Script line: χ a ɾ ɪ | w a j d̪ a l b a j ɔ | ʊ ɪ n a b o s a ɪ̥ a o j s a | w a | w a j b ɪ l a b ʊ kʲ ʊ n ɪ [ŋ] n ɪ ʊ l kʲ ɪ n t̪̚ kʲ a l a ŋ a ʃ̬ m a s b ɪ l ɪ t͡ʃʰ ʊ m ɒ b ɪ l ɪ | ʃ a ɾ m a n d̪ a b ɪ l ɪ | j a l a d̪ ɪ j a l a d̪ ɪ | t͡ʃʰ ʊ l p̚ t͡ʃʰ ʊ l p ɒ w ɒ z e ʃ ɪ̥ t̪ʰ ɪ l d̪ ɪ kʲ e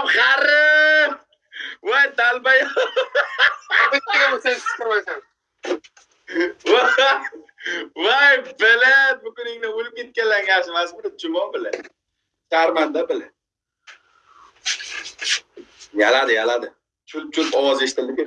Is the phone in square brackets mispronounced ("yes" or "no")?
no